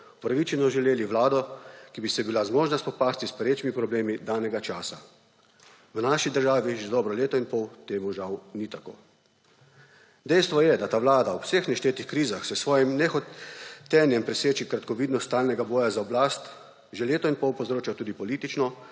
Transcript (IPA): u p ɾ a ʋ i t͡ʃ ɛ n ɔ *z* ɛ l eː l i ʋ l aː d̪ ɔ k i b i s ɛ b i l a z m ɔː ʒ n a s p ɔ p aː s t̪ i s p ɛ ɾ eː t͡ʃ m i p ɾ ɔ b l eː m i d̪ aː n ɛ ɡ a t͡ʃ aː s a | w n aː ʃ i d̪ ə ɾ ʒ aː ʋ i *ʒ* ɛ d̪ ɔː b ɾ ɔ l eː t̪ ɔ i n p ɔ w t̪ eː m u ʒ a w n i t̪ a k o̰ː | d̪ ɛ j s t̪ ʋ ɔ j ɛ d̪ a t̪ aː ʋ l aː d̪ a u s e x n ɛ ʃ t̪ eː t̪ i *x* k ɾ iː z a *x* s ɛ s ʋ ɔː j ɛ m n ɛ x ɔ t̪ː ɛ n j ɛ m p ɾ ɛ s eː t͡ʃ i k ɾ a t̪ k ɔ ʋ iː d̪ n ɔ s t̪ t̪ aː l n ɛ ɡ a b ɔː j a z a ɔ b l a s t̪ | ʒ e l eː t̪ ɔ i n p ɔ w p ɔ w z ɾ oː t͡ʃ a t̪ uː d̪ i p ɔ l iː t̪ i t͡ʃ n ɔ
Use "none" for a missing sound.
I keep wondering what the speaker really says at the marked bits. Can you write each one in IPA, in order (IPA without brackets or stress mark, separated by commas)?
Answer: ʒ, ʒ, x, x